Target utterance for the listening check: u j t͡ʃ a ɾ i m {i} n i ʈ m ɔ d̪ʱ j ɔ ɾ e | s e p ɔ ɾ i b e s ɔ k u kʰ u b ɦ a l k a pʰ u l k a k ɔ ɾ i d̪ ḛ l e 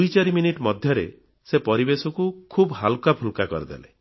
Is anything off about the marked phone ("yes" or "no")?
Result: no